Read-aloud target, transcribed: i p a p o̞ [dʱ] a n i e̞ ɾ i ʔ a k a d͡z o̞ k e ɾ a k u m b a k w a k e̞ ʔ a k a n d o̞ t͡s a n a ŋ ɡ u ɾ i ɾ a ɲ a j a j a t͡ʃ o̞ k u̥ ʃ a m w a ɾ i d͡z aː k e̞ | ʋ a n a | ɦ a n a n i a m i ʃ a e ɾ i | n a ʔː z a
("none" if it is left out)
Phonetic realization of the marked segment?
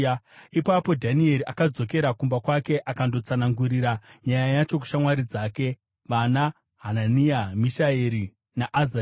dʱ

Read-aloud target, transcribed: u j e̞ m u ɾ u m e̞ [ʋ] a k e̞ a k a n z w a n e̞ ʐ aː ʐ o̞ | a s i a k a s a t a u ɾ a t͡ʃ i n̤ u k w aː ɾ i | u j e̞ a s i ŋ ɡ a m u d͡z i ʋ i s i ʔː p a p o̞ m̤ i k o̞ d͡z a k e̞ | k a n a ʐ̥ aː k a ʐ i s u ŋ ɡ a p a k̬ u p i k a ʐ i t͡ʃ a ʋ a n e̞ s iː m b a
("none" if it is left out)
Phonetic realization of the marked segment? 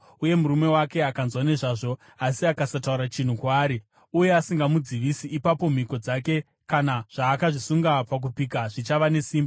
w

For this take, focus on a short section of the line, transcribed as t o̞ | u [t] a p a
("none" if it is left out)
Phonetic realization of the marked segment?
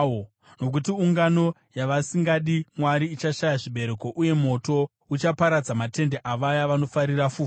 t͡ʃ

